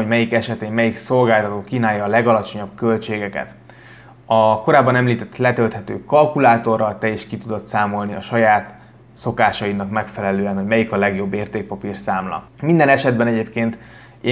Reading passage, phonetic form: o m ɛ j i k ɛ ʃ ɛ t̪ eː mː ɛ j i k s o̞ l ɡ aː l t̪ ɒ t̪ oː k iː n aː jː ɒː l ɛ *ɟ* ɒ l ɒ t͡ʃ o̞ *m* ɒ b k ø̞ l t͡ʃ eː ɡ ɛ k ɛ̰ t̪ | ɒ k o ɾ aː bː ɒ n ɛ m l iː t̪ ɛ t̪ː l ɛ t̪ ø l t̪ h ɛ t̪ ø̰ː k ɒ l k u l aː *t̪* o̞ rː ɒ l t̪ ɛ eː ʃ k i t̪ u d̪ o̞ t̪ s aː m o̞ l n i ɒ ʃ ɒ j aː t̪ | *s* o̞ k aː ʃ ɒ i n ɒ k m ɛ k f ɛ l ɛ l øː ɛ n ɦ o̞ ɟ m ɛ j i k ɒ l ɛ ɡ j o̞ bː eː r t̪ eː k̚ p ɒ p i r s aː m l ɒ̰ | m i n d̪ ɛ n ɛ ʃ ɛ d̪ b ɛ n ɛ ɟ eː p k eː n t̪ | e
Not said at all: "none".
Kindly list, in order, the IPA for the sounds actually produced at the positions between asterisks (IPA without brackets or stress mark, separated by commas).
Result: ɡ, ɲ, t̪, s